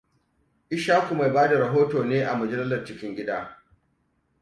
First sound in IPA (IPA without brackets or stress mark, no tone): ʔ